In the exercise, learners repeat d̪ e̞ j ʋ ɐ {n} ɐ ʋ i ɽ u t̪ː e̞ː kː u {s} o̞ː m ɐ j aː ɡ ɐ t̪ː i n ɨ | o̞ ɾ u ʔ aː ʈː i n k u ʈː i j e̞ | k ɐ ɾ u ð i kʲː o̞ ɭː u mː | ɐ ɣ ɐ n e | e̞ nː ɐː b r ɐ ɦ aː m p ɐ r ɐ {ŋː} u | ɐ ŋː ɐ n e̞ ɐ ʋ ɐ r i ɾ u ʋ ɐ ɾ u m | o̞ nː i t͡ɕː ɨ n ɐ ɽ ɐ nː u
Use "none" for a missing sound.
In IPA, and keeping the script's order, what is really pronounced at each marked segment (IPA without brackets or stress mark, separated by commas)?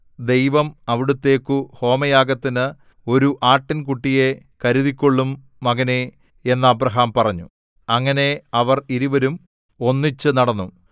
m, h, ɲː